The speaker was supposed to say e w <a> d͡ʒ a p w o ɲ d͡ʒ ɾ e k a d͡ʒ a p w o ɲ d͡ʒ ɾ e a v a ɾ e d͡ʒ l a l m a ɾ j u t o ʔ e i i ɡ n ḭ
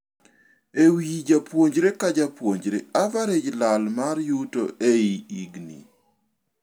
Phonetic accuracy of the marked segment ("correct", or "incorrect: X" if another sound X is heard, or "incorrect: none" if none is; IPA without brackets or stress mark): incorrect: i